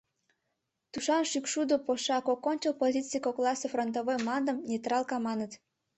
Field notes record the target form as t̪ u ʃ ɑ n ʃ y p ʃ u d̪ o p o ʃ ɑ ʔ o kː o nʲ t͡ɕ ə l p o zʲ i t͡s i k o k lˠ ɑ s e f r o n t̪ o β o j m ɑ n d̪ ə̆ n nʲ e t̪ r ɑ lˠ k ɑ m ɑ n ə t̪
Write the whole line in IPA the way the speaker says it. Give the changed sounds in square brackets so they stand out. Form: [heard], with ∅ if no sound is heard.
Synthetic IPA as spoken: t̪ u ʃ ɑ n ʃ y [k] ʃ u d̪ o p o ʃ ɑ [k] o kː o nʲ t͡ɕ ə l p o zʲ i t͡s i k o k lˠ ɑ s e f r o n t̪ o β o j m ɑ n d̪ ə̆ [m] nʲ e t̪ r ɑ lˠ k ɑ m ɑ n ə t̪